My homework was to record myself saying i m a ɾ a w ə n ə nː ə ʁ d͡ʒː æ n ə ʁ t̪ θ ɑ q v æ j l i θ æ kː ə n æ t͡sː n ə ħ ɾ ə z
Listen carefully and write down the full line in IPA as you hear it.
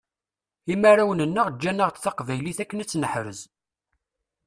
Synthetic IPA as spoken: i m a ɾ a w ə n ə nː ə ʁ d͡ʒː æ n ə ʁ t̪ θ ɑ q v æ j l i θ æ kː ə n æ t͡sː n ə ħ ɾ ə z